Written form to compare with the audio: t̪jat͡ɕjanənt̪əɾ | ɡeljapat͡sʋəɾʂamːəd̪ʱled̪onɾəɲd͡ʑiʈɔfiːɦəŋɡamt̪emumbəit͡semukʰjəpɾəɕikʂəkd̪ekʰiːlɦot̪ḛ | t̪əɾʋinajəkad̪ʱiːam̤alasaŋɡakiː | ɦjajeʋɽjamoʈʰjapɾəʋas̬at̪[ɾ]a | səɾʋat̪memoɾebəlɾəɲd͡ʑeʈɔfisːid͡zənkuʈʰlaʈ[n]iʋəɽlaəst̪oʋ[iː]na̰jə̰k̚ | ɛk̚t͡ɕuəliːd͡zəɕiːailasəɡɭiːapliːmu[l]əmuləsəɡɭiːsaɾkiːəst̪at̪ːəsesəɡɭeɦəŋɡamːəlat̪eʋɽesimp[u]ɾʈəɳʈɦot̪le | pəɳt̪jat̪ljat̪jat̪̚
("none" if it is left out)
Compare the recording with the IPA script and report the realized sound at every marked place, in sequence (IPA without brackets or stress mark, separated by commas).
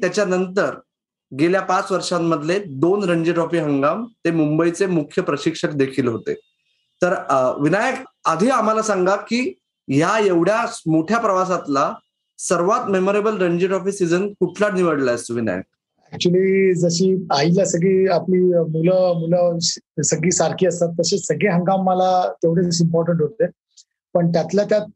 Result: l, n, i, l, ɔ